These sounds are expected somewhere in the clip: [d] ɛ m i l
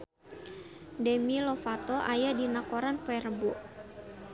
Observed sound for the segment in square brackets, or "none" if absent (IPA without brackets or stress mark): d